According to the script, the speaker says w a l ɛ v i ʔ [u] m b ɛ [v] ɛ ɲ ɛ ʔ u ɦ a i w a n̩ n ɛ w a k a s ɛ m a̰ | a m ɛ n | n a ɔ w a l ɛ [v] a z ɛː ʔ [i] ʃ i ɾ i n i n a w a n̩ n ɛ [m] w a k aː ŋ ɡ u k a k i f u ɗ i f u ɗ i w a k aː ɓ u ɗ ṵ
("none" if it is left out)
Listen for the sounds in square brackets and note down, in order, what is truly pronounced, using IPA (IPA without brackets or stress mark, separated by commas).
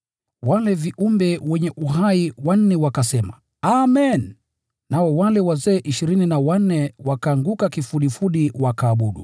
u, w, w, i, none